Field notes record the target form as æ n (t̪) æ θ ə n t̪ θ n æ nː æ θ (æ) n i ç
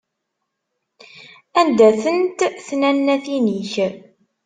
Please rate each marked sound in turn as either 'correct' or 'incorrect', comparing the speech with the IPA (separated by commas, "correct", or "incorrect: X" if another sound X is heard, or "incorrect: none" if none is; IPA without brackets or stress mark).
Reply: incorrect: d̪, incorrect: i